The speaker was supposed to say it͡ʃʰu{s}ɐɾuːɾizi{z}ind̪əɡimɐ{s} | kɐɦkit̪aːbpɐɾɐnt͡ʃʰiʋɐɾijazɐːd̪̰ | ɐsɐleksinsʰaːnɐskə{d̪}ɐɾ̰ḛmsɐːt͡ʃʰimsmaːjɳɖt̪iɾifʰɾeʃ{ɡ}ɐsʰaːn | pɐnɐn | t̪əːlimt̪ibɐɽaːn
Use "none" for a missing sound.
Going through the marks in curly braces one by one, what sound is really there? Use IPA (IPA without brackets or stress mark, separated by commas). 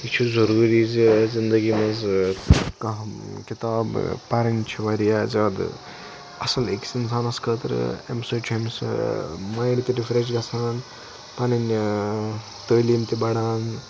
z, z, z, t̪, ɡ